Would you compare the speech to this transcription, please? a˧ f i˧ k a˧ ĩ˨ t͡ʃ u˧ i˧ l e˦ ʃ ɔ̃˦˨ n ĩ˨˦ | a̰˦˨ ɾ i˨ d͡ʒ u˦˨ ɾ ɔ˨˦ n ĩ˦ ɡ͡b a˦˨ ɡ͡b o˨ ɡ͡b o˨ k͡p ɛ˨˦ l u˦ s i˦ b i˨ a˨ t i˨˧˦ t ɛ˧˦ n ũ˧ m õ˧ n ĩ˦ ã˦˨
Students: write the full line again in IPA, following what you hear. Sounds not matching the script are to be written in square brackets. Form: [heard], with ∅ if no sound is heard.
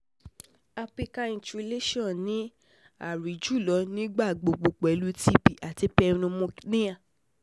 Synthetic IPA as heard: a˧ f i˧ k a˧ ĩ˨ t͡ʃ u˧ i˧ l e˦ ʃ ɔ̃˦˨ n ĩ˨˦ | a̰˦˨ ɾ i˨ d͡ʒ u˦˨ [l] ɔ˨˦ n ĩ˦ ɡ͡b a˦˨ ɡ͡b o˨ ɡ͡b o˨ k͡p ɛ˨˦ l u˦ [t] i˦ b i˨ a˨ t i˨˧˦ [p] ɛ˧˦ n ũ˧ m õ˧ n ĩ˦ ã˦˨